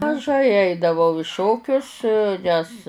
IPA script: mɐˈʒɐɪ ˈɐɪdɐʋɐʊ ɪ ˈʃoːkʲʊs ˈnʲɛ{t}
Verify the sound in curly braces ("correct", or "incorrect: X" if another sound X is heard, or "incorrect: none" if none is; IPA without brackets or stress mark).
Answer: incorrect: s